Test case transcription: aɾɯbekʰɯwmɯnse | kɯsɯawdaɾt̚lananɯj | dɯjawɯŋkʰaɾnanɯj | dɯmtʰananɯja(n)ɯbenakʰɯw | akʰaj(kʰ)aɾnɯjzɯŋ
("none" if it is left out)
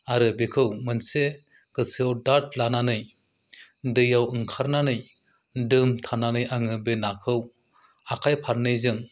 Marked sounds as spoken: ŋ, pʰ

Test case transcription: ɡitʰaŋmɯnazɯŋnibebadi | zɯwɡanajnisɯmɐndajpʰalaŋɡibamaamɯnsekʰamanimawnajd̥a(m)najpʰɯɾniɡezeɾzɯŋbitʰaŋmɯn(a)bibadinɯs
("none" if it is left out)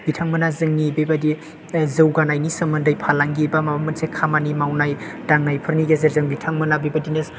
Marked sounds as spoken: ŋ, a

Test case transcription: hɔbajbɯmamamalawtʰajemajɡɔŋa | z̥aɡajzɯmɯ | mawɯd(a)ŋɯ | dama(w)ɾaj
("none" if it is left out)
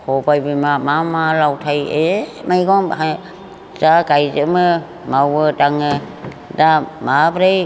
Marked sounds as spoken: a, b

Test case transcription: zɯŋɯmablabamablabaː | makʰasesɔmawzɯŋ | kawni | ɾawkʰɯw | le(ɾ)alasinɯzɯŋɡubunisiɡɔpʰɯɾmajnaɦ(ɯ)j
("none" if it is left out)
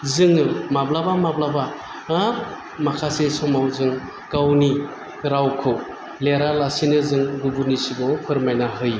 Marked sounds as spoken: ɾ, ɯ

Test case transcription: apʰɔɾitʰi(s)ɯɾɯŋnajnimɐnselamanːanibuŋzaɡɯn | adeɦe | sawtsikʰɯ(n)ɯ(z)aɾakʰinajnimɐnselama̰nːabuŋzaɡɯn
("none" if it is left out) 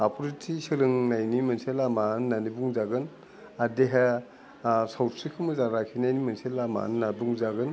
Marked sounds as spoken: s, m, z

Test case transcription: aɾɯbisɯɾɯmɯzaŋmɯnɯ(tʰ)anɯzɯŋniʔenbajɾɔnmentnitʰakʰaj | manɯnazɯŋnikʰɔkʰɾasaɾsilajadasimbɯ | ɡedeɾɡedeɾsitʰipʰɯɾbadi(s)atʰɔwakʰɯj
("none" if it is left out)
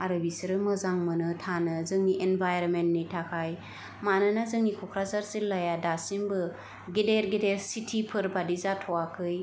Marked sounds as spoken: tʰ, z

